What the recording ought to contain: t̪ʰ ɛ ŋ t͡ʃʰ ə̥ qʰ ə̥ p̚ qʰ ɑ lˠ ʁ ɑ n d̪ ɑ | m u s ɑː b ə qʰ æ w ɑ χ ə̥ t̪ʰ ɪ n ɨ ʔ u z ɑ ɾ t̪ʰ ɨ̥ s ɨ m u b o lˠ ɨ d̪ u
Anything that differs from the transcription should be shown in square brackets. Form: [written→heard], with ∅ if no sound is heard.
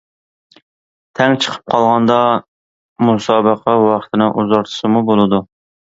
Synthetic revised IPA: t̪ʰ ɛ ŋ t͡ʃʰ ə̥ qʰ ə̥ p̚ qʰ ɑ lˠ ʁ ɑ n d̪ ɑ | m u s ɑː b ə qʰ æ w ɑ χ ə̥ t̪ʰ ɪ n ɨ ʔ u z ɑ ɾ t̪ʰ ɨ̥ s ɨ m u b o lˠ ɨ d̪ u